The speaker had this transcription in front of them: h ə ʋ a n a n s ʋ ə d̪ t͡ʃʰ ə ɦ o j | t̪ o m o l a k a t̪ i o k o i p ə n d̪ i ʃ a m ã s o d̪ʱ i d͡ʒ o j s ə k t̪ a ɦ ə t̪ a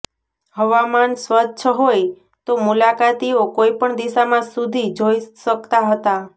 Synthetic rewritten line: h ə ʋ a m a n s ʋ ə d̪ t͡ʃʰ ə ɦ o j | t̪ o m u l a k a t̪ i o k o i p ə ɳ d̪ i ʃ a m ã s u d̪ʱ i d͡ʒ o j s ə k t̪ a ɦ ə t̪ a